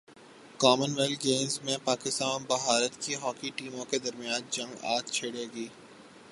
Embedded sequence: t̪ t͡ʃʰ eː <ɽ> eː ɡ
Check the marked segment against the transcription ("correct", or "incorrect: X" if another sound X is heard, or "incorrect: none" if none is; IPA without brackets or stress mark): correct